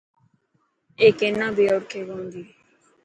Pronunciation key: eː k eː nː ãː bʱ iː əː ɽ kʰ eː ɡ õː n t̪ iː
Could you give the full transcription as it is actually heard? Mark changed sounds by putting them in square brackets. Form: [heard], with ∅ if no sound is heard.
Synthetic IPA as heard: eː k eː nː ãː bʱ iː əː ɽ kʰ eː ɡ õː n [d̪] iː